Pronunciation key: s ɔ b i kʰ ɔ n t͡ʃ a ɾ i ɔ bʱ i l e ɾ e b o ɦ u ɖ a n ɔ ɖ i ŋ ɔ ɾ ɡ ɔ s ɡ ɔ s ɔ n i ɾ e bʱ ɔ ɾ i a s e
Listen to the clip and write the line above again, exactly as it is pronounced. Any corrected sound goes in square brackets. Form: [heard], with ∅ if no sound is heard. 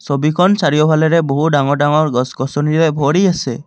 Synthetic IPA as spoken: s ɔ b i kʰ ɔ n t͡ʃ a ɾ i ɔ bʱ [a] l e ɾ e b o ɦ u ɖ a [ŋ] ɔ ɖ [a] ŋ ɔ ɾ ɡ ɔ s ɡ ɔ s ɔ n i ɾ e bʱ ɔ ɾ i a s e